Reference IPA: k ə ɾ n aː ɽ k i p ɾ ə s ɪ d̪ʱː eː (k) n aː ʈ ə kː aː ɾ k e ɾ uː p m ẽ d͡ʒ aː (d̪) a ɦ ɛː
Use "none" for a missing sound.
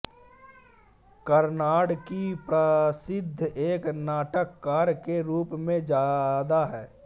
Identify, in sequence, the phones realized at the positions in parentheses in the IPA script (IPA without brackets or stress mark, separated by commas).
k, d̪